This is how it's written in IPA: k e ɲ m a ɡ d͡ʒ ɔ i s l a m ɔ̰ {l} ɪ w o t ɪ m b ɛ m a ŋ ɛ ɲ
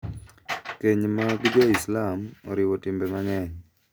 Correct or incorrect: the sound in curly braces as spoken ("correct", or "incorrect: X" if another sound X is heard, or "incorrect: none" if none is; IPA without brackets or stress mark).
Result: incorrect: ɾ